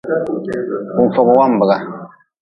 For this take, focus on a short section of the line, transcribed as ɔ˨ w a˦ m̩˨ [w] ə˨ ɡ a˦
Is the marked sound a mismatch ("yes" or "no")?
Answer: yes